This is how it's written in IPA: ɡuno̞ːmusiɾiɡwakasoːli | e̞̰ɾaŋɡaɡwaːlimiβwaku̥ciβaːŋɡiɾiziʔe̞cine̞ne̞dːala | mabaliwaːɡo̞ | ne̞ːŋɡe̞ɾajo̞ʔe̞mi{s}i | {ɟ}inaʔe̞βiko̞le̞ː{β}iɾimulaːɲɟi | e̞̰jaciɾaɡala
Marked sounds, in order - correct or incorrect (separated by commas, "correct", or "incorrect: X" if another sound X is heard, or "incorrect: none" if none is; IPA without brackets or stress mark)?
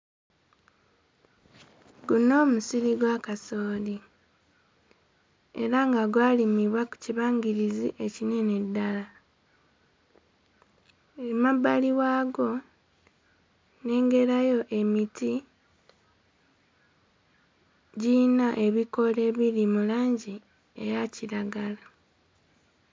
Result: incorrect: t, correct, correct